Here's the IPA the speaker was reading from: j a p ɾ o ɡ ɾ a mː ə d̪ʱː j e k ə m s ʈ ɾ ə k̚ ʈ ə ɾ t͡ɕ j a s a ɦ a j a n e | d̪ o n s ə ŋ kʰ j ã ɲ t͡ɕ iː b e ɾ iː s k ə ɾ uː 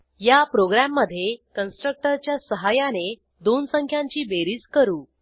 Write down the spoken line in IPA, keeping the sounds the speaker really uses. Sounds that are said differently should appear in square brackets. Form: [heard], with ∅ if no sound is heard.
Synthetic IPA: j a p ɾ o ɡ ɾ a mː ə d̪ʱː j e k ə [n] s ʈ ɾ ə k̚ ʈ ə ɾ t͡ɕ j a s [ə] ɦ a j a n e | d̪ o n s ə ŋ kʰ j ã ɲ t͡ɕ iː b e ɾ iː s k ə ɾ uː